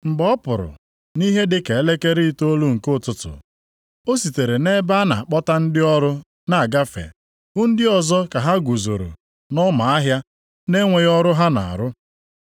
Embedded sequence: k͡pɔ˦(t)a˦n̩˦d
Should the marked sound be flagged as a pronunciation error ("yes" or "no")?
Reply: no